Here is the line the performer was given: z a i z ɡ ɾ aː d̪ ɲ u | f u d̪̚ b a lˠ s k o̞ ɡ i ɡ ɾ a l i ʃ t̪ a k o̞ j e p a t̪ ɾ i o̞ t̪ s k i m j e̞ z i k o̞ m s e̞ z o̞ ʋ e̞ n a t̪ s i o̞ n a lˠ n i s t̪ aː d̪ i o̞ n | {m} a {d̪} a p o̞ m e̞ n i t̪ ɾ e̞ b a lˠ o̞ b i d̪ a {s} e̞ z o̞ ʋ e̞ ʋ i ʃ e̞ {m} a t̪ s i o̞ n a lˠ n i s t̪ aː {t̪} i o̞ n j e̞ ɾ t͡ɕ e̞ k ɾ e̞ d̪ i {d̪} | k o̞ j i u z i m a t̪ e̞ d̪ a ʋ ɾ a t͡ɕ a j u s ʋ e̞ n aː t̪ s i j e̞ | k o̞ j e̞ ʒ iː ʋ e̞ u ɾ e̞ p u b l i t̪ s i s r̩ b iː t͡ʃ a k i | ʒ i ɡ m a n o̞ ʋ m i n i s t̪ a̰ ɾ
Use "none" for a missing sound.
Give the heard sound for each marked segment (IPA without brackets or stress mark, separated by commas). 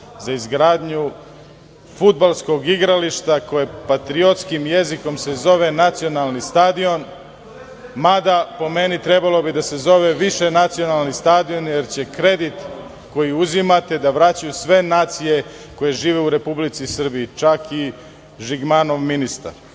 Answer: m, d̪, s, n, d̪, t̪